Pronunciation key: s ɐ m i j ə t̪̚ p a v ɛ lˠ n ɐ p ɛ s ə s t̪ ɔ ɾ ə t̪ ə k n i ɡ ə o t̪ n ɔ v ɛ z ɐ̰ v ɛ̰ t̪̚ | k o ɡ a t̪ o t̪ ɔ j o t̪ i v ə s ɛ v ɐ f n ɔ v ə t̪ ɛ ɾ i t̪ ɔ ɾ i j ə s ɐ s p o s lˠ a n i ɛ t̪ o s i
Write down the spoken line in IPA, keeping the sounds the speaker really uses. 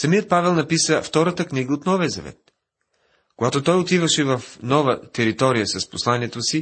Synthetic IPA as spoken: s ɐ m i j ə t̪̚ p a v ɛ lˠ n ɐ p i s ə f t̪ ɔ ɾ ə t̪ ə k n i ɡ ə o t̪ n ɔ v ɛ z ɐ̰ v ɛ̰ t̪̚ | k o ɡ a t̪ o t̪ ɔ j o t̪ i v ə ʃ ɛ v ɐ f n ɔ v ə t̪ ɛ ɾ i t̪ ɔ ɾ i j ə s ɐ s p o s lˠ a n i ɛ t̪ o s i